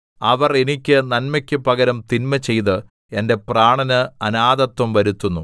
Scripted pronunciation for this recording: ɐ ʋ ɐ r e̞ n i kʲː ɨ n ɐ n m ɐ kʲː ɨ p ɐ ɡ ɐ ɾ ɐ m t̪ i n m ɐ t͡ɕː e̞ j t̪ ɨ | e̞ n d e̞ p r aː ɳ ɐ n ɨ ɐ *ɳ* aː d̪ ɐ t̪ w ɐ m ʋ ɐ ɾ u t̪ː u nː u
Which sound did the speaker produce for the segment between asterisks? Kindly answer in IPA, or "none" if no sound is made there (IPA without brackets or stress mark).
n